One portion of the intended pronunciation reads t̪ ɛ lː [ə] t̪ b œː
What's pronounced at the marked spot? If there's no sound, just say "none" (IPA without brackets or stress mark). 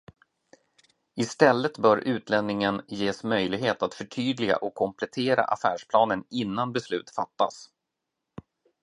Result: ə